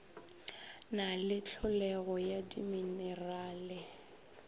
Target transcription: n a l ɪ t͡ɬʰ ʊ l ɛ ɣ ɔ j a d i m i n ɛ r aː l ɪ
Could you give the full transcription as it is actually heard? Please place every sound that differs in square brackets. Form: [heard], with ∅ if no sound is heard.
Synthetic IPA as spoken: n a l ɪ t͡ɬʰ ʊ l ɛ ɣ ɔ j a d i m i n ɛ r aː l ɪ

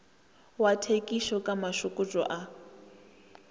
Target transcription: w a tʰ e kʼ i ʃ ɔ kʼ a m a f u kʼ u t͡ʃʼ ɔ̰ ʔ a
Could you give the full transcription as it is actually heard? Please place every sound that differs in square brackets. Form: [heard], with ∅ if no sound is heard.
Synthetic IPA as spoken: w a tʰ e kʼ i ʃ ɔ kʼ a m a [ʃ] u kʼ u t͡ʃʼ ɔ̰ ʔ a

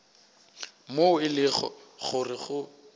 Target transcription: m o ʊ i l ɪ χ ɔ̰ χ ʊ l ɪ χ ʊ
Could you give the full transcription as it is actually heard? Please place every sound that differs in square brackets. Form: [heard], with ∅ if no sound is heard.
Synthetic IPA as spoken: m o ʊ [ɪ] l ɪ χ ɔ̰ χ ʊ [r] ɪ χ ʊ

